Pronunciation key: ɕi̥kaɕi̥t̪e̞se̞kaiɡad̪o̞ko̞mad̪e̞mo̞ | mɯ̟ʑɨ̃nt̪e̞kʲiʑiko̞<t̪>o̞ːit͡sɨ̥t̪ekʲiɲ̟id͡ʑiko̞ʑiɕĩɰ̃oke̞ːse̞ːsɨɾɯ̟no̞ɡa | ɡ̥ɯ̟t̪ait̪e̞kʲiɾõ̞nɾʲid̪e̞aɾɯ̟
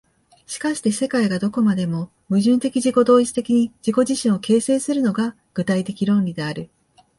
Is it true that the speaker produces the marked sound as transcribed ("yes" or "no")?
no